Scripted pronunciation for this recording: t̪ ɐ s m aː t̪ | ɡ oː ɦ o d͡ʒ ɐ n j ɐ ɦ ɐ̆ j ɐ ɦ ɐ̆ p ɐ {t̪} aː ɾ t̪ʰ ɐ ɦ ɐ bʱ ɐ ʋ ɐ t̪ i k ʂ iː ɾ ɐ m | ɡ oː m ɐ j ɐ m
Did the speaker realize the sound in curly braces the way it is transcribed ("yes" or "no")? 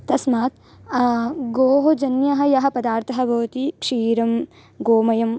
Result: no